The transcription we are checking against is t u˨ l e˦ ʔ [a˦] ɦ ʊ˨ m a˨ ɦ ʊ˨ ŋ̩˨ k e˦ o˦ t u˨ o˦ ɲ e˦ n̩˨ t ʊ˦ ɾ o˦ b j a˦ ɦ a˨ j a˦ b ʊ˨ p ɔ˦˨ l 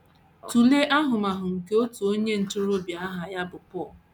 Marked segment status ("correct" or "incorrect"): correct